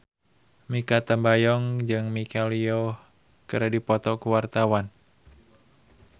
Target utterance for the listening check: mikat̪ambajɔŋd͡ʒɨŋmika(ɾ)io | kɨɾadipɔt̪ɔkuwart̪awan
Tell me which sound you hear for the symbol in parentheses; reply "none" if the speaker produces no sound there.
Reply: l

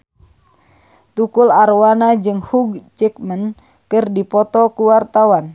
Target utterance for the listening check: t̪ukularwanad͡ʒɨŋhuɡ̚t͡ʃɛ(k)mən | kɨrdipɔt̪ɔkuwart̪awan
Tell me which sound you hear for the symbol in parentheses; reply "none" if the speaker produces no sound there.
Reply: k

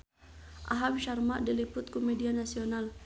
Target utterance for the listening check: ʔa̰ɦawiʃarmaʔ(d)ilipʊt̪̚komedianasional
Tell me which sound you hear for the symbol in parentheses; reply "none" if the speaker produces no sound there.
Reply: d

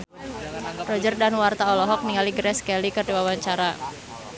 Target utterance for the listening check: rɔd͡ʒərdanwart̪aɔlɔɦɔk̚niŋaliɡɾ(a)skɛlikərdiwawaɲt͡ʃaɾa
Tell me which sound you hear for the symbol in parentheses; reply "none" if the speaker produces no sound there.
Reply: ɛ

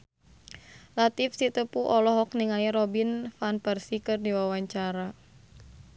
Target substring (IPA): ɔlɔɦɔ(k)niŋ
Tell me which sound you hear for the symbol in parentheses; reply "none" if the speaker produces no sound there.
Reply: k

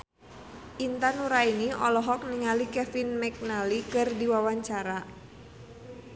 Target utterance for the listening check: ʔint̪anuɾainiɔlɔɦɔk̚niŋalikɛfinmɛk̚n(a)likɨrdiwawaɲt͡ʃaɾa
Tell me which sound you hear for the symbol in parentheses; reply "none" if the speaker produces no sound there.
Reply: a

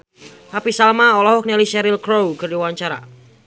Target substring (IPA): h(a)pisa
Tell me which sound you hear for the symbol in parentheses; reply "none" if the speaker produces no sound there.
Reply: a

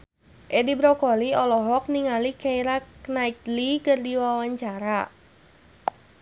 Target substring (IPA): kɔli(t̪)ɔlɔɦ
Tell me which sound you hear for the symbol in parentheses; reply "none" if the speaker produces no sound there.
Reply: none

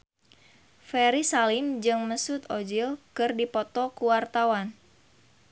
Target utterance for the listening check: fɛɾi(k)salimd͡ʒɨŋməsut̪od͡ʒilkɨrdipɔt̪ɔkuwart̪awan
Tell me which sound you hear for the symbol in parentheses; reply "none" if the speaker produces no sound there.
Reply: none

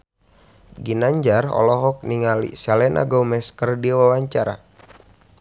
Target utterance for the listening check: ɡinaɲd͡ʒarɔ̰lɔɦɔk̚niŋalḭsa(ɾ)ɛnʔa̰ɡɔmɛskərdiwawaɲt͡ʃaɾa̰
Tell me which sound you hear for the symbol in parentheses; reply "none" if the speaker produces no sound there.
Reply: l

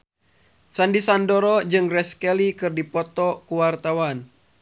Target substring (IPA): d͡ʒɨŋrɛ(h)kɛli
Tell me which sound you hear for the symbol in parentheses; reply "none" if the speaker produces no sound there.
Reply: s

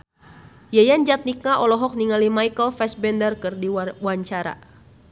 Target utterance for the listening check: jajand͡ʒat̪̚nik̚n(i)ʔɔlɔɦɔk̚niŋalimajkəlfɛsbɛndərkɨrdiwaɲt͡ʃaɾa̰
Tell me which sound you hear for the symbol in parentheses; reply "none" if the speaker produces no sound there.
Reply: a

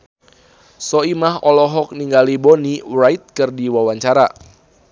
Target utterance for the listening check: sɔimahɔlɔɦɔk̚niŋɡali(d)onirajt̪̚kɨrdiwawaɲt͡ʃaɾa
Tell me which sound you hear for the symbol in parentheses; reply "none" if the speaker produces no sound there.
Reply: b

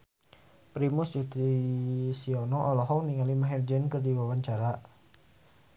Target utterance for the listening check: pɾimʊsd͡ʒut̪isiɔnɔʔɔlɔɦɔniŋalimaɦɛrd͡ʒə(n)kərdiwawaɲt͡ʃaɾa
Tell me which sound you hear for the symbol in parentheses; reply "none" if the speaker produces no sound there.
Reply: n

